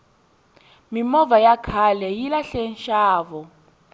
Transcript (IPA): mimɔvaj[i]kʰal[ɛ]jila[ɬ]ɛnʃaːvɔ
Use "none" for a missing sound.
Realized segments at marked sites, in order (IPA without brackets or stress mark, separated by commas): a, ɛ, ɬ